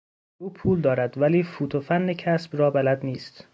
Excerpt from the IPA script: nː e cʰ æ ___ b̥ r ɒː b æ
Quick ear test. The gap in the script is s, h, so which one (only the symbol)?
s